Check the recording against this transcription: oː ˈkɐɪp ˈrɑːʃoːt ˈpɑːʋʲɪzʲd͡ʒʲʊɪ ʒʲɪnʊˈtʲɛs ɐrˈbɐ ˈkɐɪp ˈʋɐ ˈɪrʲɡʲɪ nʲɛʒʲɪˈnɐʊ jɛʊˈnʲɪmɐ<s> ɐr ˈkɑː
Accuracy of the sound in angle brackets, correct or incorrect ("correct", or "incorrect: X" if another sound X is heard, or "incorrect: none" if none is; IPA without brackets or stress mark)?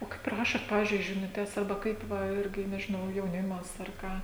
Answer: correct